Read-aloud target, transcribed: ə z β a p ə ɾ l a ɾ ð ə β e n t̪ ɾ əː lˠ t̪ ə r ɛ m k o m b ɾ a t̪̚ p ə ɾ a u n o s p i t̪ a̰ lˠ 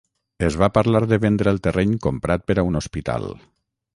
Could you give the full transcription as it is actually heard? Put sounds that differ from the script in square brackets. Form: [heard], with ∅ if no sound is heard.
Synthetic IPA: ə z β a p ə ɾ l a ɾ ð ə β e n [d̪] ɾ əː lˠ t̪ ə r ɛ [ɲ] k o m [p] ɾ a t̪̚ p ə ɾ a u n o s p i t̪ a̰ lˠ